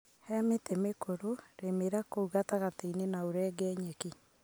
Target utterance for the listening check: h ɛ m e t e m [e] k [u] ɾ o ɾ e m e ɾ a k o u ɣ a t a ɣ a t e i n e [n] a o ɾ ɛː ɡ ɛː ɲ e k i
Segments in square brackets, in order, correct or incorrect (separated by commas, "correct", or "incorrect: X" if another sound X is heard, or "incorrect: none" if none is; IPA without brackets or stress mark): correct, incorrect: o, correct